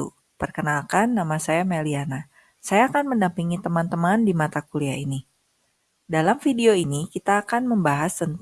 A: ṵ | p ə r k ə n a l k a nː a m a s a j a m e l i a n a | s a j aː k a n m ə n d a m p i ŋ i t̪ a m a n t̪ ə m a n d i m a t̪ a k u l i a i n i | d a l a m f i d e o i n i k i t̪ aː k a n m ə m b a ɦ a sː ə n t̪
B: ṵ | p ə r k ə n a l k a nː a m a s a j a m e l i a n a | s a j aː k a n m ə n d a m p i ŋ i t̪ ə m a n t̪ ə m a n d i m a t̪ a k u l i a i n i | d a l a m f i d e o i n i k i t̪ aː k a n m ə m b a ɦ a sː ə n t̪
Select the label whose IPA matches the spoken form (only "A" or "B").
B